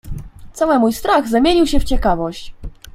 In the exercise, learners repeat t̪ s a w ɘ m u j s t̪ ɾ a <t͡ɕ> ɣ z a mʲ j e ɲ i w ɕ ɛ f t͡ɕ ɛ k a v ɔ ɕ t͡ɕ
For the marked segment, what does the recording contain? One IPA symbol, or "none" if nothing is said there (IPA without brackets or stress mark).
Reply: none